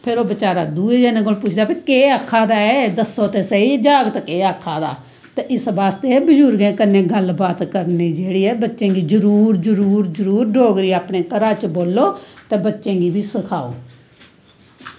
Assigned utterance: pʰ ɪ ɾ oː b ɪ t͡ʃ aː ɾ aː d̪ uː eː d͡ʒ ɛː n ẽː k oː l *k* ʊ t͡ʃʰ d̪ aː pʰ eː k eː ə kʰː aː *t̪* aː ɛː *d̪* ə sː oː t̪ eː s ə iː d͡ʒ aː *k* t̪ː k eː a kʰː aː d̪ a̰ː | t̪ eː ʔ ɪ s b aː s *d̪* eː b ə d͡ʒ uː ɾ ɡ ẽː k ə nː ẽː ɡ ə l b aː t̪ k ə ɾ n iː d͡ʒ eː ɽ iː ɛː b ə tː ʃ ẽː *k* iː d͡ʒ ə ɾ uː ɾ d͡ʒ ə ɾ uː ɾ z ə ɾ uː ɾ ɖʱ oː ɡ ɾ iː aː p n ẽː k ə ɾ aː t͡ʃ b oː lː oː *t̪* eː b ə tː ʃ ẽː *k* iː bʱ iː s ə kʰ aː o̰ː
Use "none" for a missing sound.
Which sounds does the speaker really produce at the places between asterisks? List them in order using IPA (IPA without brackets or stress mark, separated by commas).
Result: p, d̪, d̪, ɡ, t̪, ɡ, t̪, ɡ